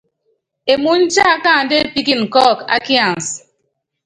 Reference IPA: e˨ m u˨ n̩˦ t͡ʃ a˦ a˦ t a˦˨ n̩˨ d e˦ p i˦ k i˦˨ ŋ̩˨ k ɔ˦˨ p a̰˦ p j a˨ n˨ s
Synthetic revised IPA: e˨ m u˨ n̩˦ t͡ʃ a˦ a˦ k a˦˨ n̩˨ d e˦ p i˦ k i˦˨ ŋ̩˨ k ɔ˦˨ k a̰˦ k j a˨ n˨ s